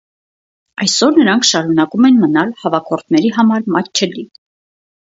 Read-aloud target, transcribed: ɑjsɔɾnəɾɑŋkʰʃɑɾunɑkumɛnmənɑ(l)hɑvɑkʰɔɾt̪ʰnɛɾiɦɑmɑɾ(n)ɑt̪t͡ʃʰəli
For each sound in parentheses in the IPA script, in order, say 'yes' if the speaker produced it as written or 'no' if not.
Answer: yes, no

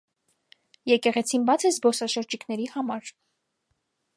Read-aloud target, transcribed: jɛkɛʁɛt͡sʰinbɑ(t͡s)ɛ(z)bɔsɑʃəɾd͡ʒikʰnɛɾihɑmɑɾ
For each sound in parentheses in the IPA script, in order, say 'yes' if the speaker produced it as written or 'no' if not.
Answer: no, yes

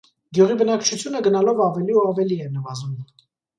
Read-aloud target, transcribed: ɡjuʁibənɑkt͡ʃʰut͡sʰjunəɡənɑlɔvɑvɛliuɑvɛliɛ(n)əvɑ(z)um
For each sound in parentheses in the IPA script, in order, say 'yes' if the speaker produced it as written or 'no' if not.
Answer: yes, yes

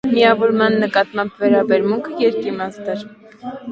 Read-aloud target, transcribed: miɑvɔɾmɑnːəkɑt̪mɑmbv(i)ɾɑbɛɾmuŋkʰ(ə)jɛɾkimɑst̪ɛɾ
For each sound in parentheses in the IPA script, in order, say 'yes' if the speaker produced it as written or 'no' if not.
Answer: no, yes

